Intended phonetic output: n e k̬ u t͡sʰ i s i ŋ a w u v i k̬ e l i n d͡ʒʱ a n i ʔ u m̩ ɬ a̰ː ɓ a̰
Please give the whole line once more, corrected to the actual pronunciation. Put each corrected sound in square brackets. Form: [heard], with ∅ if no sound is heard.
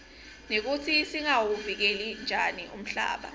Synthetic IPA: n e k̬ u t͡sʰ i s i ŋ a w u v i k̬ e l i n d͡ʒʱ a n i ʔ u m̩ ɬ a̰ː ɓ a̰